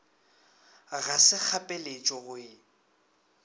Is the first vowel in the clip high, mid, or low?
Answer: low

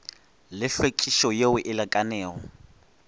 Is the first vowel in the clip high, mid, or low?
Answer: high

